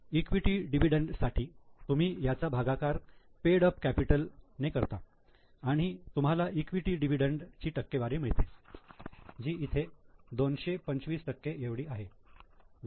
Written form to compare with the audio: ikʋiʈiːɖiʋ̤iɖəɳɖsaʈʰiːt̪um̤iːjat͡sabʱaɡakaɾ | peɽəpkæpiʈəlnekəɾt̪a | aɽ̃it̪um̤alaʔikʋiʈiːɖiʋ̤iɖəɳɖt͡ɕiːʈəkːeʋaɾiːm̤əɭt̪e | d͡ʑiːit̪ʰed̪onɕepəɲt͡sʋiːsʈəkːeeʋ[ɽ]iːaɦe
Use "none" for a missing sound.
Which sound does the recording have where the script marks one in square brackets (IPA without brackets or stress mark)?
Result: ɽ